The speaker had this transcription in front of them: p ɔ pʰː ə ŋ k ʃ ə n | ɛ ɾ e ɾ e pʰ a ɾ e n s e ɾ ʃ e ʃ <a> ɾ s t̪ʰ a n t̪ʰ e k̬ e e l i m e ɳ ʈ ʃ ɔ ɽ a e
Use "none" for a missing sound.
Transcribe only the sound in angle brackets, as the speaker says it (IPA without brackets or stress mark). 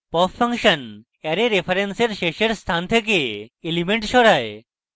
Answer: e